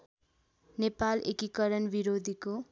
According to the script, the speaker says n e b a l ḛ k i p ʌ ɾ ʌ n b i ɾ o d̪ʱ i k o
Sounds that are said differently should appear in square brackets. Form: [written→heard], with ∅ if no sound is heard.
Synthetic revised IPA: n e [b→p] a l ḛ k i [p→k] ʌ ɾ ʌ n b i ɾ o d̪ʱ i k o